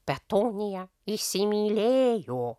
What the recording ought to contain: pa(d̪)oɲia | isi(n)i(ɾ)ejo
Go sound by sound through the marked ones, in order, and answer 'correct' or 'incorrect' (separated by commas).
incorrect, incorrect, incorrect